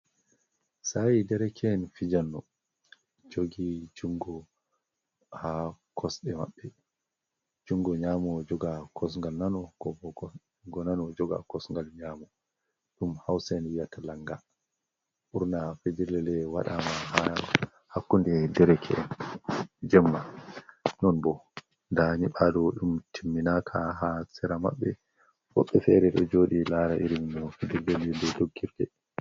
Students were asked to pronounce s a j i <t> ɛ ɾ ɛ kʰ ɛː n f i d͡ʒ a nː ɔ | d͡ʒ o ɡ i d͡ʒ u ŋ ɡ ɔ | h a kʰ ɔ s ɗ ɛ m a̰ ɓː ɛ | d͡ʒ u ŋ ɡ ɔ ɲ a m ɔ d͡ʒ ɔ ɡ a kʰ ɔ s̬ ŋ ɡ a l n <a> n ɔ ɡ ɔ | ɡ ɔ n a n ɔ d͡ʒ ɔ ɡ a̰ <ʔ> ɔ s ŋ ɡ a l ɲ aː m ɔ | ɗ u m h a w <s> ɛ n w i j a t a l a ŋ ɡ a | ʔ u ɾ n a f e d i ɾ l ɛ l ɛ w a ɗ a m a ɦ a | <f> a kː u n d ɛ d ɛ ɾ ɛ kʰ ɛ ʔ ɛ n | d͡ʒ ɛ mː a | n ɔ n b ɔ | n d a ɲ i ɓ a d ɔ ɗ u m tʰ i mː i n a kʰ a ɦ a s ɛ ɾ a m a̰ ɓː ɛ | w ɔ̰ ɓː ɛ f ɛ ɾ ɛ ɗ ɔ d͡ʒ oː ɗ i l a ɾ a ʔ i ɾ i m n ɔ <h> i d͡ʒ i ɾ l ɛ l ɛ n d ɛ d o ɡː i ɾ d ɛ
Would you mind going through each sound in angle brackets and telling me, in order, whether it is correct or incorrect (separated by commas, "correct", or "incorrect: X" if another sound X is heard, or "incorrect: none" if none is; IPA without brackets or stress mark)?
incorrect: d, correct, incorrect: k, correct, incorrect: h, incorrect: f